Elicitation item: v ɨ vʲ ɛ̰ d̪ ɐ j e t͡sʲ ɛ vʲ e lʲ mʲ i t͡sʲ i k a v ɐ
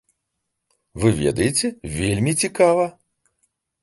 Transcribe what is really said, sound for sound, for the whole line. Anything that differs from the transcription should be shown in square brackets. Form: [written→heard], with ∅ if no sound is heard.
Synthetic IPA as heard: v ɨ vʲ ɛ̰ d̪ ɐ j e t͡sʲ ɛ vʲ e lʲ mʲ i t͡sʲ i k a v ɐ